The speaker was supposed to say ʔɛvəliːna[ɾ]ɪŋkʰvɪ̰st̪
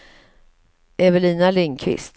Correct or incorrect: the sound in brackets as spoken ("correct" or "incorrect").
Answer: incorrect